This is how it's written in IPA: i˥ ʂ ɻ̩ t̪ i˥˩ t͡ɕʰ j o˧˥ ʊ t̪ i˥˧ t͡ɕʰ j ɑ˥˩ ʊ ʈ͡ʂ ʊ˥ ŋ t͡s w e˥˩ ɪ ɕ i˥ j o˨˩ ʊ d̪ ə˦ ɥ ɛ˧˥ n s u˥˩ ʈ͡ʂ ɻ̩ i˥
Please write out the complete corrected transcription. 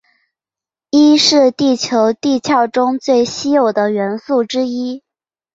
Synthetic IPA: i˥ ʂ ɻ̩ t̪ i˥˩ t͡ɕʰ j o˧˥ ʊ t̪ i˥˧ t͡ɕʰ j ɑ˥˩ ʊ ʈ͡ʂ ʊ˥ ŋ t͡s w e˥˩ ɪ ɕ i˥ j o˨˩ ʊ d̪ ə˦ ɥ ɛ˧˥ n s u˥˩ ʈ͡ʂ ɻ̩ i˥